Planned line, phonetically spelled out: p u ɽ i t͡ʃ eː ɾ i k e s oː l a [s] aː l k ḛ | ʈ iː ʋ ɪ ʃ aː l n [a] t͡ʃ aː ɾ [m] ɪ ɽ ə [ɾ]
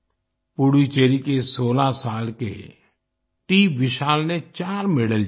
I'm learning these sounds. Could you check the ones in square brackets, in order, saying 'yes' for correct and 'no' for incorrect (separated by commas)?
yes, no, yes, no